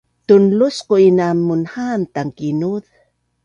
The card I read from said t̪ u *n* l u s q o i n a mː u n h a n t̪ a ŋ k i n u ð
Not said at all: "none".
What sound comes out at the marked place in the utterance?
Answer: n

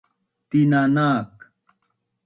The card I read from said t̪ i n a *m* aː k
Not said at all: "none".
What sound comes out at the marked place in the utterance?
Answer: n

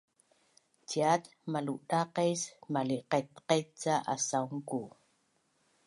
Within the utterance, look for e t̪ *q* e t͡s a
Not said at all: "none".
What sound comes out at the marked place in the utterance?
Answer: q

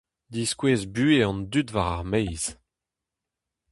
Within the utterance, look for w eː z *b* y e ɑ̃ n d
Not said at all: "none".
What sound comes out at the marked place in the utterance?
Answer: b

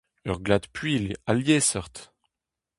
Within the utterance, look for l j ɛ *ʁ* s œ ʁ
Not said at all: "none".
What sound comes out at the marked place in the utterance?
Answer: none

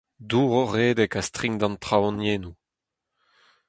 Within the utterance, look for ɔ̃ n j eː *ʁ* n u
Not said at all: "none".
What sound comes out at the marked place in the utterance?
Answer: none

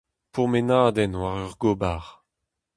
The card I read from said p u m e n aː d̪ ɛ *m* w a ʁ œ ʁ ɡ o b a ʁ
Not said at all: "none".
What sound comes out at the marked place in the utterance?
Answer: n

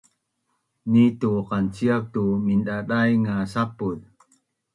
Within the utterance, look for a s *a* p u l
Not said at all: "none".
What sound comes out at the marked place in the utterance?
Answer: a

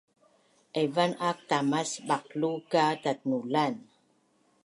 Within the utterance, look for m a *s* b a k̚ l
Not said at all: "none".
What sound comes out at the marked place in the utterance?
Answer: s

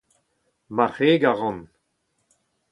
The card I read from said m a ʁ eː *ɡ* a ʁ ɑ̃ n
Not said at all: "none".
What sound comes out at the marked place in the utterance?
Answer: ɡ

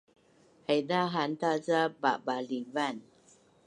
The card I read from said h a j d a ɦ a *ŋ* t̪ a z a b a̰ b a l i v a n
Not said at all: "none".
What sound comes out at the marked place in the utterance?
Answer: n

